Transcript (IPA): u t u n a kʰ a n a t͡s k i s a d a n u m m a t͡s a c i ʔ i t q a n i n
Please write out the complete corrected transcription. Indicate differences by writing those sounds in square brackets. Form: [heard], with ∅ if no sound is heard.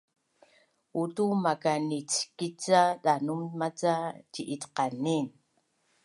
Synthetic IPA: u t u [m] a [k] a n [i] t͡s k i [t͡s] a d a n u m m a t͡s a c i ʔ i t q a n i n